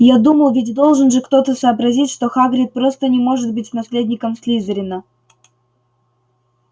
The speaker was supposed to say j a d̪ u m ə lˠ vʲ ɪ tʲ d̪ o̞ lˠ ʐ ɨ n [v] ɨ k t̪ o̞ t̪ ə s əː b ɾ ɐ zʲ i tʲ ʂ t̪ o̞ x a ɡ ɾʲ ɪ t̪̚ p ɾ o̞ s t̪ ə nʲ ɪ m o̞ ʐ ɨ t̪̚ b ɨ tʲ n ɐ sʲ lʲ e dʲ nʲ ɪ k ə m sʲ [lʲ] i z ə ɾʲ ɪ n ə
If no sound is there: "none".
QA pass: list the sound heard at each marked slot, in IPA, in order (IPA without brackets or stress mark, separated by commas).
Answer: ʐ, lʲ